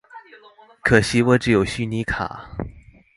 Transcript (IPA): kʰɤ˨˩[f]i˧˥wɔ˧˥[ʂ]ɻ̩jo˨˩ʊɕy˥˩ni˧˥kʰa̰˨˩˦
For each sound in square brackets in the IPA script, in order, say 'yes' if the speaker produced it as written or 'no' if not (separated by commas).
no, no